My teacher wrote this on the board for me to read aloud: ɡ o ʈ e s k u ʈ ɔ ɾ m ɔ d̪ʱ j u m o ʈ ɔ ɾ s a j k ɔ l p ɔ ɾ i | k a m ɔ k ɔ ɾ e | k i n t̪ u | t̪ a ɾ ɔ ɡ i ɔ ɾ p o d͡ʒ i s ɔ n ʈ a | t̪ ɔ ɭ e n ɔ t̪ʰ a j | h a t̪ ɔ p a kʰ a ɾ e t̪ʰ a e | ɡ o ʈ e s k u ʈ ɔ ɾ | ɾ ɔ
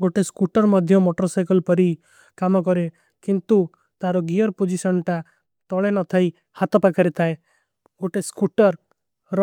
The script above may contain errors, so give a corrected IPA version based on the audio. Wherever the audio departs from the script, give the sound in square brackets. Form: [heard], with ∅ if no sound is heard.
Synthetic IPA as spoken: ɡ o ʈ e s k u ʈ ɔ ɾ m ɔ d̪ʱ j [ɔ] m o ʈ ɔ ɾ s a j k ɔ l p ɔ ɾ i | k a m ɔ k ɔ ɾ e | k i n t̪ u | t̪ a ɾ ɔ ɡ i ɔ ɾ p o d͡ʒ i s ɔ n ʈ a | t̪ ɔ ɭ e n ɔ t̪ʰ a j | h a t̪ ɔ p a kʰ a ɾ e t̪ʰ a e | ɡ o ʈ e s k u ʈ ɔ ɾ | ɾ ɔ